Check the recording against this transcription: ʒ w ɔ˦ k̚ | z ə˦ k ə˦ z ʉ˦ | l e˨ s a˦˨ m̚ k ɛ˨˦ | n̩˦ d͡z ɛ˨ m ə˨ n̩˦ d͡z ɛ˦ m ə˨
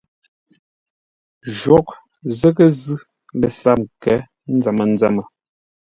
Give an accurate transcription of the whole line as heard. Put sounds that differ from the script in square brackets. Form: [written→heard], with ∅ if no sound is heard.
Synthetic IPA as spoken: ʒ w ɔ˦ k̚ | z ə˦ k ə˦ z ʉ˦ | l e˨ s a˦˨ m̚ k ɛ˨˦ | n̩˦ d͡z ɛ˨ m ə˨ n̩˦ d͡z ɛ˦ m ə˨